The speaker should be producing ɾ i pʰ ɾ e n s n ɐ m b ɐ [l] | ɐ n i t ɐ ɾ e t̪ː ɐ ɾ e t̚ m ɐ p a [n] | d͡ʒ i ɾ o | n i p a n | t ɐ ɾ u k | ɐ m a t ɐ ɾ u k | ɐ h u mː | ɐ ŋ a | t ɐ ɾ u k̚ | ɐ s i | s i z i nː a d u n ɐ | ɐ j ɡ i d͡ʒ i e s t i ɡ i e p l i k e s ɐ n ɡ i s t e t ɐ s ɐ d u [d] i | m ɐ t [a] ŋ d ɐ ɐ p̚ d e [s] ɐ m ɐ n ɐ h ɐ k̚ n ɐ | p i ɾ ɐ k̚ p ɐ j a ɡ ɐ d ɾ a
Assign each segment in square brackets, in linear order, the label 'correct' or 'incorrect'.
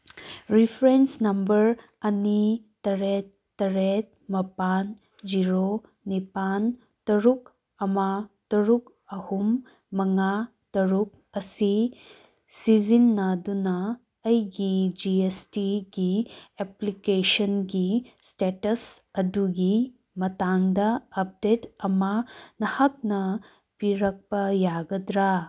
incorrect: ɾ, correct, incorrect: ɡ, correct, incorrect: t

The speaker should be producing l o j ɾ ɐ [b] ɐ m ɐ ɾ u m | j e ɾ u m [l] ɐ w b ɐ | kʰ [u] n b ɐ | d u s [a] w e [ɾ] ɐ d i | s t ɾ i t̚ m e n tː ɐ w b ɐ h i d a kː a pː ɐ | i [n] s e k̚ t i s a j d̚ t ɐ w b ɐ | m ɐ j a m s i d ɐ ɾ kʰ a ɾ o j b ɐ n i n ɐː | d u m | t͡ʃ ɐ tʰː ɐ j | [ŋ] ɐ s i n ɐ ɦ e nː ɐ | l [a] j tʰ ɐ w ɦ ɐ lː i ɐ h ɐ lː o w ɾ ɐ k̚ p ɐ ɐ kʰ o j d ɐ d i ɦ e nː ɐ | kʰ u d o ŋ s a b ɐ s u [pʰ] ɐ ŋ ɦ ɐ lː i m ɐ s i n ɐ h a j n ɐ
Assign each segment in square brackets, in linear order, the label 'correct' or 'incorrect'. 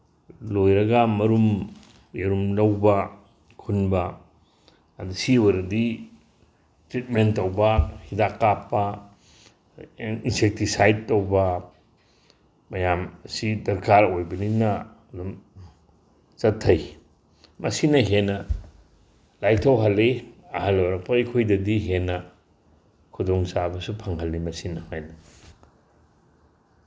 incorrect: ɡ, correct, correct, incorrect: i, correct, correct, incorrect: m, correct, correct

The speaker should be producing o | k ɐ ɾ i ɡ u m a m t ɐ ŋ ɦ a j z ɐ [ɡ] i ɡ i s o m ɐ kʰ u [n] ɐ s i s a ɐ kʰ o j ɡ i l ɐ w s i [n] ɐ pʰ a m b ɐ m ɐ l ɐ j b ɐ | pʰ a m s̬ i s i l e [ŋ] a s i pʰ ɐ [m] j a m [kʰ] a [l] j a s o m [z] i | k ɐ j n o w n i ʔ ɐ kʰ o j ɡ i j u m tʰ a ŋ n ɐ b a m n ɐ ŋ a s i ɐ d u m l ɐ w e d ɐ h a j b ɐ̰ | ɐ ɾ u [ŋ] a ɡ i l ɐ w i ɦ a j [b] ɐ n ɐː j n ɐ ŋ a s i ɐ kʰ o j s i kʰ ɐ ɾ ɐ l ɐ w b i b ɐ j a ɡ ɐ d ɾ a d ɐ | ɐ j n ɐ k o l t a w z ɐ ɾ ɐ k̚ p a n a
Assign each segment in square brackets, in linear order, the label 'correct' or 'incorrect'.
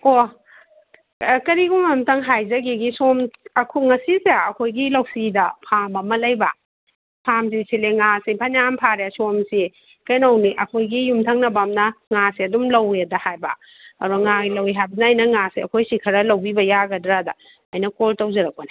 correct, incorrect: ŋ, incorrect: d, correct, incorrect: n, incorrect: pʰ, incorrect: ɾ, incorrect: s, correct, correct

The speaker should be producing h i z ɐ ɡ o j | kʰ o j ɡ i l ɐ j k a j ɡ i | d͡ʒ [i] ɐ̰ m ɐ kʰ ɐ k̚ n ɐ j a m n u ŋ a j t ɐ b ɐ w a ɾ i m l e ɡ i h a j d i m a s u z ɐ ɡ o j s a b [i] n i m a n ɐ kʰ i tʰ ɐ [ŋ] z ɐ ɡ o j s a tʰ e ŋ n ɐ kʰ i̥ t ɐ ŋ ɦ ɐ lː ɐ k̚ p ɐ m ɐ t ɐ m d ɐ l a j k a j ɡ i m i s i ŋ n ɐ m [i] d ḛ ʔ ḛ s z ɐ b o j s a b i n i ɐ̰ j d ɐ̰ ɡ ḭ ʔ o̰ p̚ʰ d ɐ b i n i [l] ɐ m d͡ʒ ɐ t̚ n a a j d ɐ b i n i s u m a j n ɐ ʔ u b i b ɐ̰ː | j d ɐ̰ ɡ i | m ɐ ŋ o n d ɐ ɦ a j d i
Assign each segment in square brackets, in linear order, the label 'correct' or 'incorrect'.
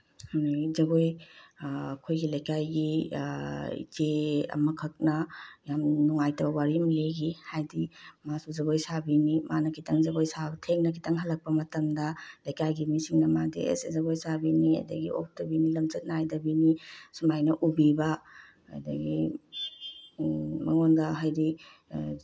incorrect: e, correct, correct, incorrect: a, correct

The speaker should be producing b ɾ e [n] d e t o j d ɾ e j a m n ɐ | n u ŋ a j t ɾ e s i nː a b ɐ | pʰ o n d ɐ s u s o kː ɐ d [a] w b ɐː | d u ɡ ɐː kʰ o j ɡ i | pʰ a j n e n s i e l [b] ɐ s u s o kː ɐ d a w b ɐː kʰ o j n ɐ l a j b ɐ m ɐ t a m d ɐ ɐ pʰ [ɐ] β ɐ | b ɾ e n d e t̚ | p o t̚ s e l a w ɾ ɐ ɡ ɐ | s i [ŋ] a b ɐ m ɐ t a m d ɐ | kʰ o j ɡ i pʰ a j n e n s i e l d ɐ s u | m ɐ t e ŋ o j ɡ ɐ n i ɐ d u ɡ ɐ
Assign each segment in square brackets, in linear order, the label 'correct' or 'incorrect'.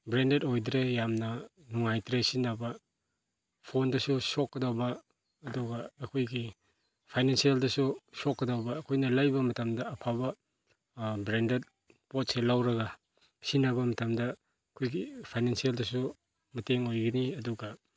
correct, correct, incorrect: d, incorrect: a, incorrect: n

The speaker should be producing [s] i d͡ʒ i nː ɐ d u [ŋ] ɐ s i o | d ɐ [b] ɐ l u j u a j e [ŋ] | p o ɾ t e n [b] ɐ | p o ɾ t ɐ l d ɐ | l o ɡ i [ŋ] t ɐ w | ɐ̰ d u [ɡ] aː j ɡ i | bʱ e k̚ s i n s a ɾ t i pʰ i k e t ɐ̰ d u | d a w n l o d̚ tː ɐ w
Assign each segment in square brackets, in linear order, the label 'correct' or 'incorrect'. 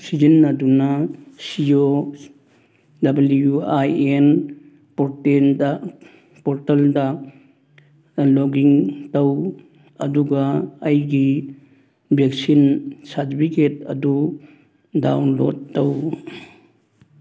correct, incorrect: n, correct, incorrect: n, incorrect: d, correct, correct

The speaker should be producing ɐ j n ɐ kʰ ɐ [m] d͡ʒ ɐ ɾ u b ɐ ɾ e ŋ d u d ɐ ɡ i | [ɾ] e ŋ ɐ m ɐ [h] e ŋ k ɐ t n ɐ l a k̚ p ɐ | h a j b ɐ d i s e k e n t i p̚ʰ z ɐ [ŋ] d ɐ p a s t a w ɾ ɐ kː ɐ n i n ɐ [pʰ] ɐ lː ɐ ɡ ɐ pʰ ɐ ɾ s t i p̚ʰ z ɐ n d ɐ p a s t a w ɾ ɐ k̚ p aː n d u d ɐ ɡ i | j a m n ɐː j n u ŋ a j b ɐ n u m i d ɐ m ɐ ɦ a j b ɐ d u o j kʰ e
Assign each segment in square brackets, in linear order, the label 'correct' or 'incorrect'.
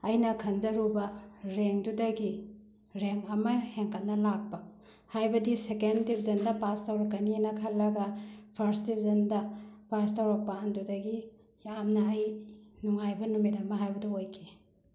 incorrect: n, correct, correct, incorrect: n, incorrect: kʰ

